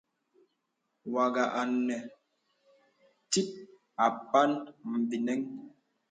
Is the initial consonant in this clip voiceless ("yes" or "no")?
no